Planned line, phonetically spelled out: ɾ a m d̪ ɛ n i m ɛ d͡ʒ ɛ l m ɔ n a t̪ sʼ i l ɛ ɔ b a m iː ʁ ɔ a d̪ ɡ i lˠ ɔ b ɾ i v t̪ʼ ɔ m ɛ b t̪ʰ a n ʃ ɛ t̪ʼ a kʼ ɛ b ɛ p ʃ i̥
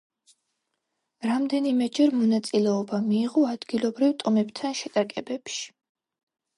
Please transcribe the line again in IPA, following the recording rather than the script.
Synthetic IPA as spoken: ɾ a m d̪ ɛ n i m ɛ d͡ʒ ɛ ɾ m ɔ n a t̪ sʼ i l ɛ ɔ b a m iː ʁ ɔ a d̪ ɡ i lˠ ɔ b ɾ i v t̪ʼ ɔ m ɛ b t̪ʰ a n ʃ ɛ t̪ʼ a kʼ ɛ b ɛ p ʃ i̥